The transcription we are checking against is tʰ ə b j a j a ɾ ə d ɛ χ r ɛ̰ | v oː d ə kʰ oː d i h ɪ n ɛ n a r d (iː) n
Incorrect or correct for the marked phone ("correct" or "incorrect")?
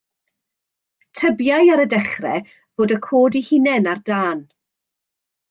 incorrect